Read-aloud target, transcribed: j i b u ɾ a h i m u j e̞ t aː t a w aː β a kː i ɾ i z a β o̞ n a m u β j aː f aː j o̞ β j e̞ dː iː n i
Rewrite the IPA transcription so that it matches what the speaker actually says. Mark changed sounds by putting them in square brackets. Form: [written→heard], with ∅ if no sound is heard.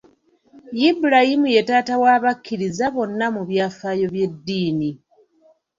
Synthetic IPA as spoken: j i b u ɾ a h i m u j e̞ t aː t a w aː β a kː i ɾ i z a β o̞ [n→nː] a m u β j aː f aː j o̞ β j e̞ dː iː n i

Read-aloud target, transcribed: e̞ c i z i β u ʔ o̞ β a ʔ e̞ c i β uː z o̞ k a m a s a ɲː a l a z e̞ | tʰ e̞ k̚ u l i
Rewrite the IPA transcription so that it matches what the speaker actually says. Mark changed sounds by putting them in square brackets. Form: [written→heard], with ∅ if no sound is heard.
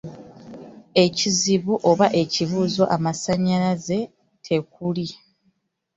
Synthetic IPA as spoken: e̞ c i z i β u ʔ o̞ β a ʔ e̞ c i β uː z o̞ [k→ʔ] a m a s a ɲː a l a z e̞ | tʰ e̞ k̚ u l i

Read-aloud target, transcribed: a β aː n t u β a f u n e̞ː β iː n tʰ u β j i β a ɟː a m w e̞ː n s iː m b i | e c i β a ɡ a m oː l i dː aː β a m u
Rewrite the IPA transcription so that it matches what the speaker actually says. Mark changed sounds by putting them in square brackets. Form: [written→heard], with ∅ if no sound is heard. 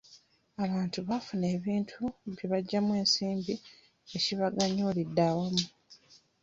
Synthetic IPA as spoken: a β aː n t u β a f u n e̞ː β iː n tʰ u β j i β a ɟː a m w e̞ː n s iː m b i | e c i β a ɡ a [m→ɲ] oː l i dː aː [β→w] a m u

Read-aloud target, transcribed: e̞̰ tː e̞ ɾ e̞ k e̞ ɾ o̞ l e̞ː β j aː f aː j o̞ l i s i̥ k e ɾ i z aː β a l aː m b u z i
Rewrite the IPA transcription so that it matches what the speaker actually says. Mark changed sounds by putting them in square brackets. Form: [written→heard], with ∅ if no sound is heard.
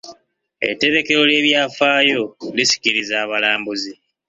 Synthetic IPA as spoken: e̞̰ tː e̞ ɾ e̞ k e̞ ɾ o̞ l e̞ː β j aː f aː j o̞ l i s i̥ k [e→i] ɾ i z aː β a l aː m b u z i

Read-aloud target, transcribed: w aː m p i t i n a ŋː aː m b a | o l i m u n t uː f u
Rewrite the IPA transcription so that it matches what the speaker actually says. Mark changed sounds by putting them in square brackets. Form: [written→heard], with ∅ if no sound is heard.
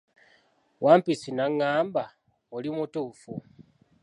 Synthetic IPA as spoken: w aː m p i [t→s] i n a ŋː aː m b a | o l i m u [n→∅] t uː f u

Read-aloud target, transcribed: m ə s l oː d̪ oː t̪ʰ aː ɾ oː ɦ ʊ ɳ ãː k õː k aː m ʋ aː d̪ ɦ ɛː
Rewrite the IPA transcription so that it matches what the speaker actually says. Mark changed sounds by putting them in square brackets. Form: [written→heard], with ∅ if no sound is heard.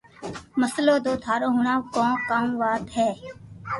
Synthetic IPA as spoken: m ə s l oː d̪ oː t̪ʰ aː ɾ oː ɦ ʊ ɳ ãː k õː k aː m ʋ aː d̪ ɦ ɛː

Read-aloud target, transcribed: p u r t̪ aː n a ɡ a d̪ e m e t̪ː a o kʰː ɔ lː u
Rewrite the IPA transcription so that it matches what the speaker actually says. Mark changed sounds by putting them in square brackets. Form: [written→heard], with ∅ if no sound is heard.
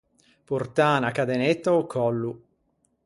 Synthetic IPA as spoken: p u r t̪ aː n a [ɡ→k] a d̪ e [m→n] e t̪ː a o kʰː ɔ lː u

